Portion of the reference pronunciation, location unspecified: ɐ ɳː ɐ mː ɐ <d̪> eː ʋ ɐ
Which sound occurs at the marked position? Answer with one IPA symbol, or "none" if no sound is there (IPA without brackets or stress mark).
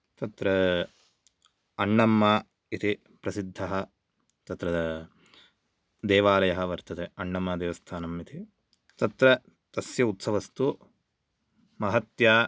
d̪